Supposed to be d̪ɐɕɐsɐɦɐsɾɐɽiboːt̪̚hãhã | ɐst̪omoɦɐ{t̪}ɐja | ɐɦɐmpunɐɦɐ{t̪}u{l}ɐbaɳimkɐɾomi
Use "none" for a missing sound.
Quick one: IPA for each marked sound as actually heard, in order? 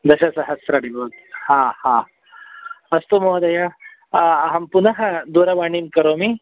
d̪, d̪, ɾ

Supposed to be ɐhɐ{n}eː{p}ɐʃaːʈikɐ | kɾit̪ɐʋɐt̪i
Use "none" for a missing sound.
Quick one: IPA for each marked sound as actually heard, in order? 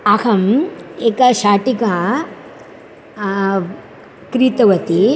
m, k

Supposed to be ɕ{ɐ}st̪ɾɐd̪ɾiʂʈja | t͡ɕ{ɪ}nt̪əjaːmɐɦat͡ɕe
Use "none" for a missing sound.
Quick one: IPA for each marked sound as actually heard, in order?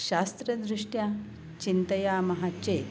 a, i

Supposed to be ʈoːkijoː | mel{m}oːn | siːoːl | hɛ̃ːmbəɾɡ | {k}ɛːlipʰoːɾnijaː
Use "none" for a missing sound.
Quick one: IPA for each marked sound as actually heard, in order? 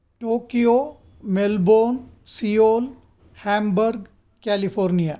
b, k

